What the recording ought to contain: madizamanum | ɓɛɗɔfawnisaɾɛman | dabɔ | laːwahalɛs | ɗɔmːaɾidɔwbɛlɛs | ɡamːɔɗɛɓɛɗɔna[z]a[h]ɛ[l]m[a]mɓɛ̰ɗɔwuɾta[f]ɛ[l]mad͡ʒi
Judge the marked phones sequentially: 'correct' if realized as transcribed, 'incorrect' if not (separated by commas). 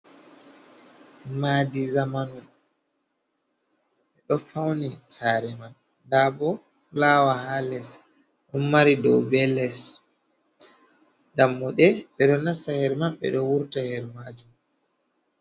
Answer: incorrect, correct, incorrect, correct, incorrect, incorrect